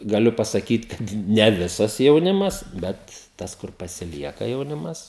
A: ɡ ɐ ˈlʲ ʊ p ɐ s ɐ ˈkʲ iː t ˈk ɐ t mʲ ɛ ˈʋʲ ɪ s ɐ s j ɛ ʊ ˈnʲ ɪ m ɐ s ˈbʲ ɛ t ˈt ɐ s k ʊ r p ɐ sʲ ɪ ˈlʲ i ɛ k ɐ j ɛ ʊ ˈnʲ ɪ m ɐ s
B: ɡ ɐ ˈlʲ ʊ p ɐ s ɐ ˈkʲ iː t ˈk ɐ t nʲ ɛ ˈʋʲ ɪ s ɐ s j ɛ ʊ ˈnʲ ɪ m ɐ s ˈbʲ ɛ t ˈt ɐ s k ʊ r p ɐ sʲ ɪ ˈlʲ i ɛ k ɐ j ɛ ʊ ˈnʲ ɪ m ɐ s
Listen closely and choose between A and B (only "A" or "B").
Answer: B